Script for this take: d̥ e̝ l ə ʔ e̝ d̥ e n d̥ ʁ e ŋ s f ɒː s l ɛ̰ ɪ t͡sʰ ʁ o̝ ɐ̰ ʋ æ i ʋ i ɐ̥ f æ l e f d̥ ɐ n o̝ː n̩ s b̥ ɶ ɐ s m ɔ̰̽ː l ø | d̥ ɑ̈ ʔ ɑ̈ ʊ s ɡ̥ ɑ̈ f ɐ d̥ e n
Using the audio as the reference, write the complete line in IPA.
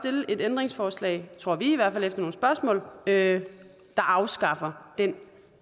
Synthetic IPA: d̥ e̝ l ə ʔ e̝ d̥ e n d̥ ʁ e ŋ s f ɒː s l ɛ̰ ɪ t͡sʰ ʁ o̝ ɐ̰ ʋ i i ʋ æ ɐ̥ f æ l e f d̥ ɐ n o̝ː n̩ s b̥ ɶ ɐ s m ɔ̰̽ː l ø | d̥ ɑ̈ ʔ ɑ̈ ʊ s ɡ̥ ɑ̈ f ɐ d̥ e n